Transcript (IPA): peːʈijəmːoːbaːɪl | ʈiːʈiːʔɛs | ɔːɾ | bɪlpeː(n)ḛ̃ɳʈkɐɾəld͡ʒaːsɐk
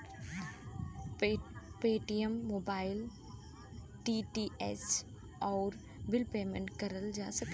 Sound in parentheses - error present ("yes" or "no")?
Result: yes